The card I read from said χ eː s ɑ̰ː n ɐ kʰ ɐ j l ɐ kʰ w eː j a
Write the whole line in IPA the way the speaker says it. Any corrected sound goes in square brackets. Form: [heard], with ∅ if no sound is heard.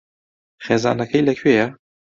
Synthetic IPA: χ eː [z] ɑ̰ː n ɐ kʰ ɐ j l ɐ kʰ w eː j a